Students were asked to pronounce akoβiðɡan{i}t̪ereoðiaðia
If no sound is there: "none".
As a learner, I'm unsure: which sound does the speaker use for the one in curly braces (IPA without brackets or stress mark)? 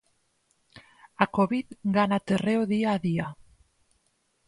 a